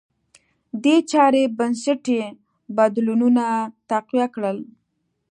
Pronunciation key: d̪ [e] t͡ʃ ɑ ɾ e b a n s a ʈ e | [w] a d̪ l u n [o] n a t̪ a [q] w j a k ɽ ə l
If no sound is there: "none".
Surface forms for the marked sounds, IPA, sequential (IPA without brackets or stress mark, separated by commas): e, b, u, q